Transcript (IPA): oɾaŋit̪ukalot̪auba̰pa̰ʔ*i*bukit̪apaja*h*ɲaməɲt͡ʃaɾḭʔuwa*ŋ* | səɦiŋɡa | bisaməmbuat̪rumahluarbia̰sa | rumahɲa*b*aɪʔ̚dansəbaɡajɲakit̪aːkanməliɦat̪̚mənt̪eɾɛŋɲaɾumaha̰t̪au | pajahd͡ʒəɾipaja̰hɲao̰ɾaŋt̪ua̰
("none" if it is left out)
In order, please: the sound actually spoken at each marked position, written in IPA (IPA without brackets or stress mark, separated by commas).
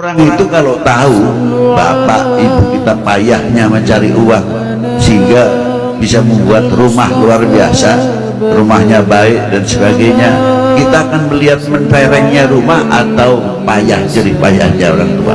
i, h, ŋ, b